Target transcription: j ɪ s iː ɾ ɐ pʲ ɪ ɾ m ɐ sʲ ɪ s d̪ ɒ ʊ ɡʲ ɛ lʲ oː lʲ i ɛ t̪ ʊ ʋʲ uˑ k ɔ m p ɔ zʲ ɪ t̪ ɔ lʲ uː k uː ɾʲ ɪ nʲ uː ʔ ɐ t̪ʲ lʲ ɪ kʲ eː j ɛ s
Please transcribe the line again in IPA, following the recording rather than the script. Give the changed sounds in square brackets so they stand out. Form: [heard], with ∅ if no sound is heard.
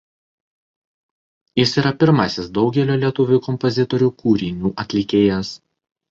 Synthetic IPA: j ɪ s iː ɾ ɐ pʲ ɪ ɾ m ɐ sʲ ɪ s d̪ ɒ ʊ ɡʲ ɛ lʲ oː lʲ i ɛ t̪ ʊ ʋʲ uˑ k ɔ m p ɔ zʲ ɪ t̪ ɔ [ɾʲ] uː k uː ɾʲ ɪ nʲ uː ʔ ɐ t̪ʲ lʲ ɪ kʲ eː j ɛ s